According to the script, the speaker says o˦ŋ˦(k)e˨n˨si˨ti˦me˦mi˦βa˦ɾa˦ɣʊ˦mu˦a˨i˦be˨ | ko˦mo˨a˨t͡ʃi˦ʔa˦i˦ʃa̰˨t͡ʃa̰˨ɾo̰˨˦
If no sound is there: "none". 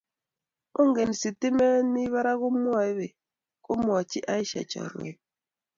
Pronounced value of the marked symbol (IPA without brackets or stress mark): ɡ